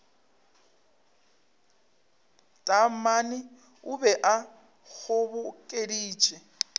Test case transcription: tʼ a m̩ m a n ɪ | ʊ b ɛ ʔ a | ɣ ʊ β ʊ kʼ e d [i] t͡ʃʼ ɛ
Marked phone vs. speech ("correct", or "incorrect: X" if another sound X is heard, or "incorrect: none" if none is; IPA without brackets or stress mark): incorrect: iː